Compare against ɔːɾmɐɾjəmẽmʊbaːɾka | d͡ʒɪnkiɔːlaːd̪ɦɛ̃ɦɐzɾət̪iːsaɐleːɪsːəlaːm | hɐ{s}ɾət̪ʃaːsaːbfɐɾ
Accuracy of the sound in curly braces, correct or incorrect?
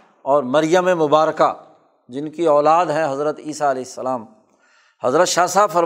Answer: incorrect